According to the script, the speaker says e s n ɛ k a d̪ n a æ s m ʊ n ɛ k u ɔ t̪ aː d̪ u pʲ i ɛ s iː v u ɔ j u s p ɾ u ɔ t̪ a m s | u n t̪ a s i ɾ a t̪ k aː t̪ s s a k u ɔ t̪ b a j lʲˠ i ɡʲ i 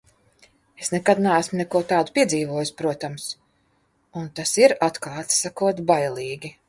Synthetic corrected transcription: e s n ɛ k a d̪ n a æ s m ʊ n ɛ k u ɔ t̪ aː d̪ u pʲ i ɛ z iː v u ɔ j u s p ɾ u ɔ t̪ a m s | u n t̪ a s i ɾ a t̪ k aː t̪ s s a k u ɔ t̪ b a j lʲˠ iː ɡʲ i